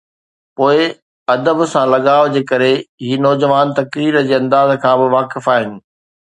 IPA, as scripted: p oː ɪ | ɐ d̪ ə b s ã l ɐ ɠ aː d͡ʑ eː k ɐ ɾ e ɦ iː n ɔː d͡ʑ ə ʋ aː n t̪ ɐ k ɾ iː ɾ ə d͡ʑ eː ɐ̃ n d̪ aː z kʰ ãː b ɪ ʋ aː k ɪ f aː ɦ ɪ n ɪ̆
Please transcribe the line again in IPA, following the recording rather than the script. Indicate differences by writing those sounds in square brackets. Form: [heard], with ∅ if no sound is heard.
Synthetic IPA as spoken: p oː ɪ | ɐ d̪ ə b s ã l ɐ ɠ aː d͡ʑ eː k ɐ ɾ e ɦ iː n ɔː d͡ʑ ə ʋ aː n t̪ ɐ k ɾ iː ɾ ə d͡ʑ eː ɐ̃ n d̪ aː z kʰ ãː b ɪ ʋ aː k ɪ f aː ɦ ɪ n ɪ̆